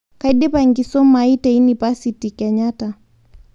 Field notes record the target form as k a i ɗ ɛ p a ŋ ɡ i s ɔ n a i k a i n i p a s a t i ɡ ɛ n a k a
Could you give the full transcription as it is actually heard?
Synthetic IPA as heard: k a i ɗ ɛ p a ŋ ɡ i s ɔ m a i t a i n i p a s i t i k ɛ ɲ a t a